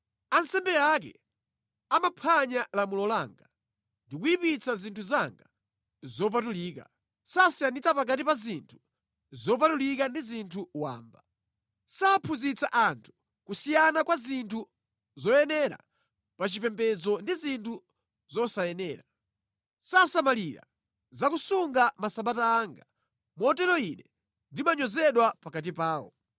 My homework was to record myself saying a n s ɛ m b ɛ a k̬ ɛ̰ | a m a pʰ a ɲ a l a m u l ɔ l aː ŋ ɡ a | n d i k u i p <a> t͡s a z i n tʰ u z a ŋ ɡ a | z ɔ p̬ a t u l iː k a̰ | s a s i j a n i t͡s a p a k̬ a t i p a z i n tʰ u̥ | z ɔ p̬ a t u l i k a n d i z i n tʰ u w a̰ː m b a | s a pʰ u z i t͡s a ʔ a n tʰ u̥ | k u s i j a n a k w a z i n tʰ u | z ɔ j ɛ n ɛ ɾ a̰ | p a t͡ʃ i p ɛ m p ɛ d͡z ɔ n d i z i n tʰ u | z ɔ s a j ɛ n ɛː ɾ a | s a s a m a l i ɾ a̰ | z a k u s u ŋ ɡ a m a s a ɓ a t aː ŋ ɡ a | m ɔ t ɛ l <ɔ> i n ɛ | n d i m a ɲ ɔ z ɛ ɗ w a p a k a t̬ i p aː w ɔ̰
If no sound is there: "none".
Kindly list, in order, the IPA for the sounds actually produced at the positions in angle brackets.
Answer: i, ɔ

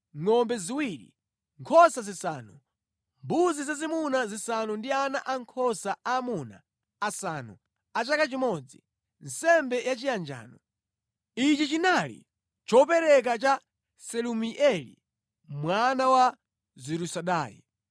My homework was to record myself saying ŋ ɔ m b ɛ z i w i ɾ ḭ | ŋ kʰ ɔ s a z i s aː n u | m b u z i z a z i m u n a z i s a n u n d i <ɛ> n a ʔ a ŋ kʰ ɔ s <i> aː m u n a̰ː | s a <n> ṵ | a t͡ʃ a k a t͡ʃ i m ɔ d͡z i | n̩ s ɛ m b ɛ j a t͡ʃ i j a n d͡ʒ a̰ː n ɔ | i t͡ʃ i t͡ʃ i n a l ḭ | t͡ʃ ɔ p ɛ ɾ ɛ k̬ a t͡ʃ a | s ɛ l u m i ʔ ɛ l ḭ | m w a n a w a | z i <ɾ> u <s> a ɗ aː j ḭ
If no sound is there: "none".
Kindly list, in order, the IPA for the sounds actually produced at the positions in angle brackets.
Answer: a, a, n, ɾ, s

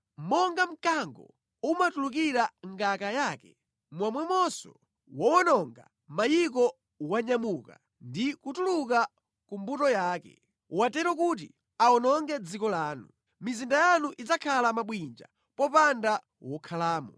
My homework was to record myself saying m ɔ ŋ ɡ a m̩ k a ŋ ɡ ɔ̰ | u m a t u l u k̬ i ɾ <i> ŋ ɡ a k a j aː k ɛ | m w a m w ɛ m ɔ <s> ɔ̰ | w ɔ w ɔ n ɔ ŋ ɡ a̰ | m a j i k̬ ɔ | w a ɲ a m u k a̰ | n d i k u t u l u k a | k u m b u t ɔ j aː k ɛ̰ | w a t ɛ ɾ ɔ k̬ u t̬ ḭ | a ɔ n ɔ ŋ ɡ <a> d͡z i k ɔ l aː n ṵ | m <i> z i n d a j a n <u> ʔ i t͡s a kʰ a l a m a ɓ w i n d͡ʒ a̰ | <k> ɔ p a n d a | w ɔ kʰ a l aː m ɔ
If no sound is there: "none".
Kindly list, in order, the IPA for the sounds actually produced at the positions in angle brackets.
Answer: a, s, ɛ, i, u, p

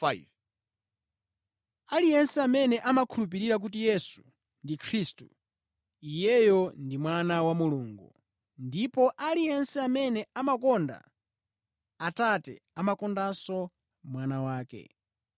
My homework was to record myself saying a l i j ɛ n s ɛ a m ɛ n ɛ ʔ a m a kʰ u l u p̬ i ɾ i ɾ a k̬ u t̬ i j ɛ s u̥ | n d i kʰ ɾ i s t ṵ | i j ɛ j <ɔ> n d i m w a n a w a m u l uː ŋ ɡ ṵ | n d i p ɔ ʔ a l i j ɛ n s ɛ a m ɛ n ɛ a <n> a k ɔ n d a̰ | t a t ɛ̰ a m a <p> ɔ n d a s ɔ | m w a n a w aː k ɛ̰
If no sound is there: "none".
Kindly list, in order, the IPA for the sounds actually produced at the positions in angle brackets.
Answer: ɔ, m, k

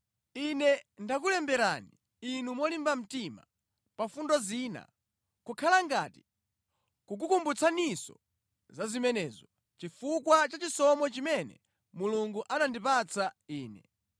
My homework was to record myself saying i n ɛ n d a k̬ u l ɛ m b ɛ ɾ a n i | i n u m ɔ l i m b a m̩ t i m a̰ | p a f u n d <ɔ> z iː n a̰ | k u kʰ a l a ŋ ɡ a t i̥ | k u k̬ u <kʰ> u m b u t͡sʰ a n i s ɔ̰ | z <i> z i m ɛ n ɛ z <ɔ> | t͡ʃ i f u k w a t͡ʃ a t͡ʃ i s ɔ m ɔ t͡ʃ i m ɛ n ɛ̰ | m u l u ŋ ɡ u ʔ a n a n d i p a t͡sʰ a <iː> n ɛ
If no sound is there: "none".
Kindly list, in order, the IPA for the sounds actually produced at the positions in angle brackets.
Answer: ɔ, k, a, ɔ, iː

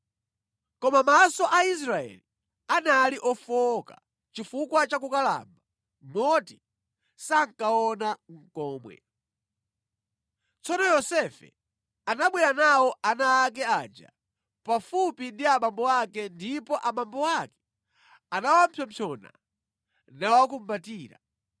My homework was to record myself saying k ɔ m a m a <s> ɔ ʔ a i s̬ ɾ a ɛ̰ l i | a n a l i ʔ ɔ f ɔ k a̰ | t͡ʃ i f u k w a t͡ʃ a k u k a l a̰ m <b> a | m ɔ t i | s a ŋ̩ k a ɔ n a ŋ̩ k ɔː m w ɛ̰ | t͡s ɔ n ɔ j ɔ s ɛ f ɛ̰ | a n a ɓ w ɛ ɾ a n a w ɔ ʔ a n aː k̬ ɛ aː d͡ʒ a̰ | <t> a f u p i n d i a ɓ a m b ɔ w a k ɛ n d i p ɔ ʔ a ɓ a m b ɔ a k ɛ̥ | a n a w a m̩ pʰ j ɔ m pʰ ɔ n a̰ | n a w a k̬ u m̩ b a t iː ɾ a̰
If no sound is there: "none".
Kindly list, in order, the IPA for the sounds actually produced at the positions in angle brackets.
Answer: s, b, p

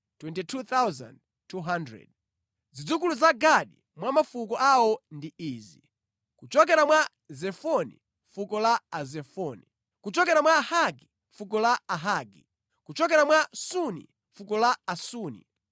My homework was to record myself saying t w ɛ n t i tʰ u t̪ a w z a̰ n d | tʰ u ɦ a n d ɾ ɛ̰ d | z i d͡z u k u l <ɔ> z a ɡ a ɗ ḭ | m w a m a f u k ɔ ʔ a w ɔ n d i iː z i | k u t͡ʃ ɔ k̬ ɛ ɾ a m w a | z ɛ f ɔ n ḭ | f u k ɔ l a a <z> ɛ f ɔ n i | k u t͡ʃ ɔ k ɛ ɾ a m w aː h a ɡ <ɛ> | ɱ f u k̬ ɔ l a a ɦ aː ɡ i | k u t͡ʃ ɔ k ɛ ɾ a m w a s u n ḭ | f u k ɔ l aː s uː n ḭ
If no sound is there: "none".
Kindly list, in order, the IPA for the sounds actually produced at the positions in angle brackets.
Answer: u, z, i

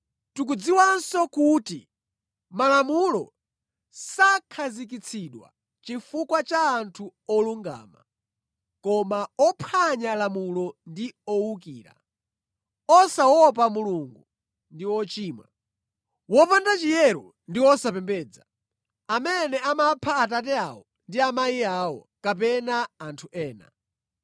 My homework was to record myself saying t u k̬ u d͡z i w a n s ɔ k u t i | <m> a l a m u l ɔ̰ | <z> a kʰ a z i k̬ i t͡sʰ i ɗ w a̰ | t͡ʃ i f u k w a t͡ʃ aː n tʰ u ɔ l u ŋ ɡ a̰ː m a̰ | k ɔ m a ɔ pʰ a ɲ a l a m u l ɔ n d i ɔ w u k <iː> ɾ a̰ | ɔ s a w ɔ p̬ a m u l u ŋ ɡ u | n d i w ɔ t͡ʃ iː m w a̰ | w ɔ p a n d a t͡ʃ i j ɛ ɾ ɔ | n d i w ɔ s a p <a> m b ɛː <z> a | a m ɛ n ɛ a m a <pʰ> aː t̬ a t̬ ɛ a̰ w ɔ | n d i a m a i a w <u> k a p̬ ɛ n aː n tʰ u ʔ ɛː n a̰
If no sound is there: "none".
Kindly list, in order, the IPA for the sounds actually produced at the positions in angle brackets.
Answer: m, s, iː, ɛ, d͡z, pʰ, ɔ

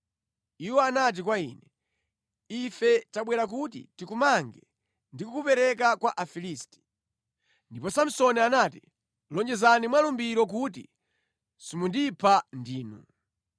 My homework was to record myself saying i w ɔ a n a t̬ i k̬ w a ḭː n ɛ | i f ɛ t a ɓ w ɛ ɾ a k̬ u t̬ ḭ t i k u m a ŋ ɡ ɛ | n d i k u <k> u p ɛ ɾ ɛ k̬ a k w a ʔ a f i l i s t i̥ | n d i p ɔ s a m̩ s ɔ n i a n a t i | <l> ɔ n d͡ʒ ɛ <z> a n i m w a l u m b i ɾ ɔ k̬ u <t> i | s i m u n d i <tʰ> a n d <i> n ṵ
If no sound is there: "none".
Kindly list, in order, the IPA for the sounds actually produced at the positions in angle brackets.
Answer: k, l, z, t, pʰ, iː

